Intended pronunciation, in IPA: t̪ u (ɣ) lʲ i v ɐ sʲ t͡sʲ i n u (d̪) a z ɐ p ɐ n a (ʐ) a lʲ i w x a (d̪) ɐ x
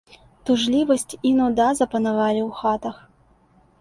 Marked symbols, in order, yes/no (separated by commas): no, yes, no, no